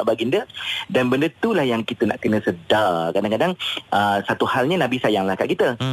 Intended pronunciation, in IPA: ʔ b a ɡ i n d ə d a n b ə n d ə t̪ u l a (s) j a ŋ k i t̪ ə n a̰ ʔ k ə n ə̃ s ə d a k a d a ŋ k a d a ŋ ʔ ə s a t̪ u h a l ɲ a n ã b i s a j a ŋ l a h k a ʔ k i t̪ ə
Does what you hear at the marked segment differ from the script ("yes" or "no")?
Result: yes